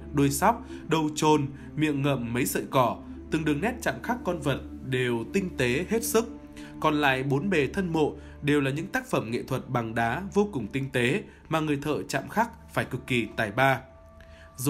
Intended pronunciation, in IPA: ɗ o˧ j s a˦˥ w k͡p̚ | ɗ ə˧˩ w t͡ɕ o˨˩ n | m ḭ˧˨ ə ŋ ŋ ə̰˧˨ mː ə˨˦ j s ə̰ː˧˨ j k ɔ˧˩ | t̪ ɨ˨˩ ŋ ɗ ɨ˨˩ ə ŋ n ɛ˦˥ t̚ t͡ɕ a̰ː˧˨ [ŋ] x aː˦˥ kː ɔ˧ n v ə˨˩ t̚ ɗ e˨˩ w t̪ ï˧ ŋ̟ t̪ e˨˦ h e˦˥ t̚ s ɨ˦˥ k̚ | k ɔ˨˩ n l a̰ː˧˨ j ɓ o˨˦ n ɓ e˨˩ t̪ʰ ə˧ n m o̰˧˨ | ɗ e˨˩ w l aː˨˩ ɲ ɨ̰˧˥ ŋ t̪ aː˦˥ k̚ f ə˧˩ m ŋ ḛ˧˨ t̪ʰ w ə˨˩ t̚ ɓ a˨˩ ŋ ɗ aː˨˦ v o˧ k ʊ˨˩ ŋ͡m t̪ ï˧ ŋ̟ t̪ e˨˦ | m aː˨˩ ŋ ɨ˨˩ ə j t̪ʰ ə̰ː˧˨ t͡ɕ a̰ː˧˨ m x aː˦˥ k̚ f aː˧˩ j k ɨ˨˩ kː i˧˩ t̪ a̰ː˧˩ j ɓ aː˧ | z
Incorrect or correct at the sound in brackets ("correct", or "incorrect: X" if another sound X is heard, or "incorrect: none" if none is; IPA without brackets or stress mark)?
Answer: incorrect: m